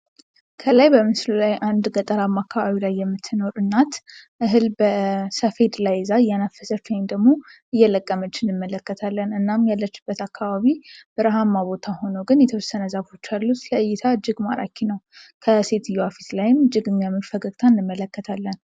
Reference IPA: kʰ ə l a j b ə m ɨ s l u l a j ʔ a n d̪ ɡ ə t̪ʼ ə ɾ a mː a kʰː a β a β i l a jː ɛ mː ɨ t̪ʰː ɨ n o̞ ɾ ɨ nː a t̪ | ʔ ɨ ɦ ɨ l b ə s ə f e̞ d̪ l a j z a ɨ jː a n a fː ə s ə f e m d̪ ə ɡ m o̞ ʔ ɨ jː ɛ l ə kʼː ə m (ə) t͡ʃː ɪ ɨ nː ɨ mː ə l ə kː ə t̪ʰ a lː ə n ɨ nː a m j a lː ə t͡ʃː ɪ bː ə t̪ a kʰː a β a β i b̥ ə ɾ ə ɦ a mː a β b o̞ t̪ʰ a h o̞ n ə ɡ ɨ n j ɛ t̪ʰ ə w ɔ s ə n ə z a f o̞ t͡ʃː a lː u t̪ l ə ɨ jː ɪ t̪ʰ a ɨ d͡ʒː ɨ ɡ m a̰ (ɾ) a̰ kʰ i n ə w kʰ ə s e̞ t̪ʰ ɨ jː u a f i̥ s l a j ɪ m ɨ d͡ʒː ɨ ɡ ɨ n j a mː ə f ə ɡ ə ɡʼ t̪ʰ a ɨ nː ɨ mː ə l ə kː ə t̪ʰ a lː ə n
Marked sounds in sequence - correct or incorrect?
correct, correct

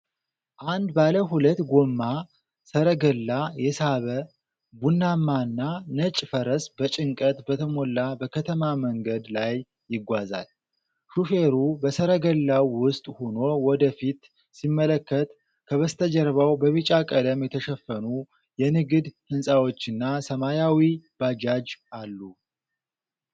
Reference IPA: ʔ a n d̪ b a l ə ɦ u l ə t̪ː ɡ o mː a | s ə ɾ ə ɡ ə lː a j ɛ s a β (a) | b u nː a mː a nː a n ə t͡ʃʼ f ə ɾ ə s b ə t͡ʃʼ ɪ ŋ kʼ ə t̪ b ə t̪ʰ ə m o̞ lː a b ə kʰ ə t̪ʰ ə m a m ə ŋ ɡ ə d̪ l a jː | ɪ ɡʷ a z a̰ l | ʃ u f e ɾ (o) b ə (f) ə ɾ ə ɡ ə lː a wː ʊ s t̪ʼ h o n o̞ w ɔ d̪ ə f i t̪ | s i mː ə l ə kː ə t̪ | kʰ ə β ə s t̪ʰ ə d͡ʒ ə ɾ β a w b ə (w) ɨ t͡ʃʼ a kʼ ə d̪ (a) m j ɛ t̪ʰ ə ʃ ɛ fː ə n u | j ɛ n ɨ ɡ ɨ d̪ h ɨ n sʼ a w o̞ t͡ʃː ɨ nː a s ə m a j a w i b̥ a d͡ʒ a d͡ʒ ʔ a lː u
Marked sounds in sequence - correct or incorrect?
incorrect: ə, incorrect: u, incorrect: s, incorrect: β, incorrect: ə

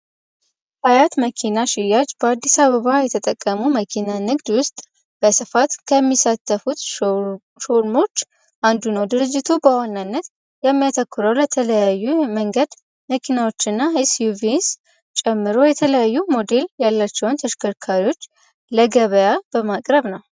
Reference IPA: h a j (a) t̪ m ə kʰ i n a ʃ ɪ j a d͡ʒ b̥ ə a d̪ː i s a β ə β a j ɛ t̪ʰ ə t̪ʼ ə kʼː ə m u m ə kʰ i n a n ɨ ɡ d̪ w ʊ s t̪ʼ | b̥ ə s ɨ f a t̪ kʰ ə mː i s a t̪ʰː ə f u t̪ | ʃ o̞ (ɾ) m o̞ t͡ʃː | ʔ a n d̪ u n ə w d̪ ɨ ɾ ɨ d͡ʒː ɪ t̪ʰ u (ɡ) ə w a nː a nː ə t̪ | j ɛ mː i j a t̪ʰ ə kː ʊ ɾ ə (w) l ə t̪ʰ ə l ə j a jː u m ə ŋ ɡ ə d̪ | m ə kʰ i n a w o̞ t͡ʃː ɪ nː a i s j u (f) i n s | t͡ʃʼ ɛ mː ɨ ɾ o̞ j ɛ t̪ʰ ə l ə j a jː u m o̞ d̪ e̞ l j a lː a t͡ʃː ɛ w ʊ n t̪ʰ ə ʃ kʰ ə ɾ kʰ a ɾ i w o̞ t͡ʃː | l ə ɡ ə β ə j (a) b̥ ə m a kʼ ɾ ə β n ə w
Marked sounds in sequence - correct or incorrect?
correct, correct, incorrect: b, correct, incorrect: v, correct

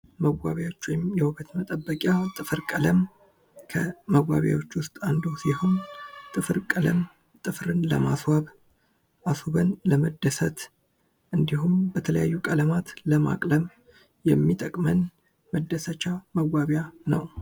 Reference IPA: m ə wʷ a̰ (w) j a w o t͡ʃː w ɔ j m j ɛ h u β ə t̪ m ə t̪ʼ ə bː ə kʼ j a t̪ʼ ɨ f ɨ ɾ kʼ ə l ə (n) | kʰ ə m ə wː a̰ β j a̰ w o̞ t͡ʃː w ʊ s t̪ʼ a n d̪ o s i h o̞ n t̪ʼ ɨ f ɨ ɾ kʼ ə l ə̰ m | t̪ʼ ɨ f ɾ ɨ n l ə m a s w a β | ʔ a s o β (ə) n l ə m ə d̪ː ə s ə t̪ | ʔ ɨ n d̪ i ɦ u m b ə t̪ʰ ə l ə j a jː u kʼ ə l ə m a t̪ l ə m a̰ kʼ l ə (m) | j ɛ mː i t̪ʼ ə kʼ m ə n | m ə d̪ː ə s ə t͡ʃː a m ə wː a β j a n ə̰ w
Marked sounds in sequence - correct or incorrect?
incorrect: β, incorrect: m, correct, correct

